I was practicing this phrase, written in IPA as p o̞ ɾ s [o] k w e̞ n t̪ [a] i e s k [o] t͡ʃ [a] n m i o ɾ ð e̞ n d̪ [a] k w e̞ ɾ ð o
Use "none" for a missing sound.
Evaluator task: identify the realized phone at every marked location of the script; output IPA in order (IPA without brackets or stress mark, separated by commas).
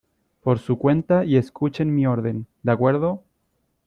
u, a, u, e, a